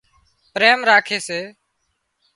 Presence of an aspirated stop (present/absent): present